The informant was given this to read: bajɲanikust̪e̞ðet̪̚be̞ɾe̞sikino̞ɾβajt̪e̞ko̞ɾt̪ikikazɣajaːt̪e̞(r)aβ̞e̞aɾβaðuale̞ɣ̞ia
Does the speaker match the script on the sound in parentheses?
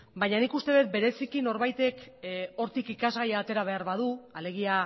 no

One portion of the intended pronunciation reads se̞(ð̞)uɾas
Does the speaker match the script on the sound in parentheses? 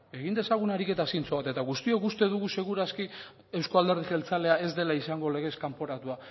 no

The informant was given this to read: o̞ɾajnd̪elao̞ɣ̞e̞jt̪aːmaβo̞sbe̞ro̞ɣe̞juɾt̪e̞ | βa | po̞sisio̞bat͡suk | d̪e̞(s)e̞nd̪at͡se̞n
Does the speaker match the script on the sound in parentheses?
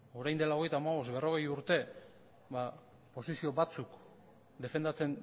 no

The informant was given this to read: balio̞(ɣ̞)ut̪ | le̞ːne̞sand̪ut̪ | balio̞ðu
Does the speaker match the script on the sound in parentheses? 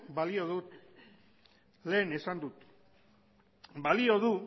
no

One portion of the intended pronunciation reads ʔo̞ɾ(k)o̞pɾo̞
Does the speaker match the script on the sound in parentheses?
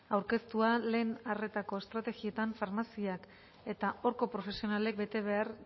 yes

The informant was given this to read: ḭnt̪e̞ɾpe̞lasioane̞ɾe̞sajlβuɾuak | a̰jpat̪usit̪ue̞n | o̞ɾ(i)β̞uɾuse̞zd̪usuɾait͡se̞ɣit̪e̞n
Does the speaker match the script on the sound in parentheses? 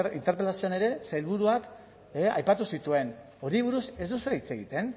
yes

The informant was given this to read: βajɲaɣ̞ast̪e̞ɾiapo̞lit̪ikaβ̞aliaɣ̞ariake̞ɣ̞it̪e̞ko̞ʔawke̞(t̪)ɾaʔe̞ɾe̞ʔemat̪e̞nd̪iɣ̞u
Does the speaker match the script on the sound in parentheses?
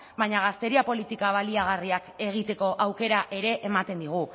no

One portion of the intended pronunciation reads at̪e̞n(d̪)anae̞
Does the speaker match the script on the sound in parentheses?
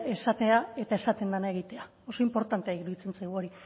yes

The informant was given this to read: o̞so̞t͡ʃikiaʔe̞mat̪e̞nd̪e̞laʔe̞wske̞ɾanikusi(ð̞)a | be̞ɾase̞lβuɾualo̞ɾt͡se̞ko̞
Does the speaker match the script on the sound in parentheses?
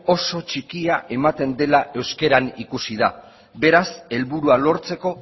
yes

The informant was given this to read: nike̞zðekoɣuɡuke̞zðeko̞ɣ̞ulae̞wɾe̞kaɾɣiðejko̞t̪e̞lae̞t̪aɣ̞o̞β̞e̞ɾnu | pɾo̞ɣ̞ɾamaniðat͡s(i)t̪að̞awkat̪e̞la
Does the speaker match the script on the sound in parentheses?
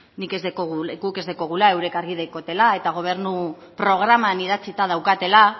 yes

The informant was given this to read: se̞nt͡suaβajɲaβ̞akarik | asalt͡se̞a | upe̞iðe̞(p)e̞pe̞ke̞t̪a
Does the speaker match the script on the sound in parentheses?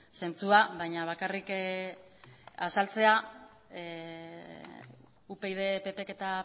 yes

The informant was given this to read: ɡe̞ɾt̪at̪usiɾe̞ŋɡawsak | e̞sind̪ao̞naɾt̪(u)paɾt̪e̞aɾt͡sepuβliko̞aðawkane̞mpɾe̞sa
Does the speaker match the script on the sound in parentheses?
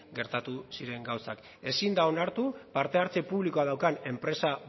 yes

